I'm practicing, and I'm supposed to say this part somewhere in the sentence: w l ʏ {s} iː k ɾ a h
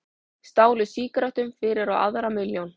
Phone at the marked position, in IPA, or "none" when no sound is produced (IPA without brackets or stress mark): s